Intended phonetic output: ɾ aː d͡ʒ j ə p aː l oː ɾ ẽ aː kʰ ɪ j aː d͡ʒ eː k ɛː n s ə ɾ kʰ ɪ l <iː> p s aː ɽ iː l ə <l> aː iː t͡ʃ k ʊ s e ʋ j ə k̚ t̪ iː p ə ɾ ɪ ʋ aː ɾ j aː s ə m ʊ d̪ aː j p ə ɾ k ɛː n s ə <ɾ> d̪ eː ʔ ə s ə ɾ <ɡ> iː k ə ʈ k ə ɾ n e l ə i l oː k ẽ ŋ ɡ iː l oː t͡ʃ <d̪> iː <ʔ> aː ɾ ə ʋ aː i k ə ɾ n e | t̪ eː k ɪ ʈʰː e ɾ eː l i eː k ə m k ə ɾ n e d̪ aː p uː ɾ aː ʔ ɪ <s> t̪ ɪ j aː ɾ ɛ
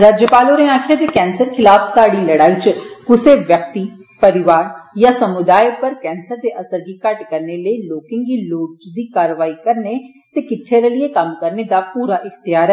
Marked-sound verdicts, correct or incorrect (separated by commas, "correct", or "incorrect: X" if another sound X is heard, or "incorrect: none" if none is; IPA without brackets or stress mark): incorrect: aː, incorrect: ɽ, correct, correct, correct, incorrect: k, incorrect: x